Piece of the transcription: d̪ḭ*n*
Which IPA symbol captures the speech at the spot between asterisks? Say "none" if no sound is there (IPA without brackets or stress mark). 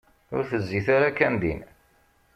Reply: n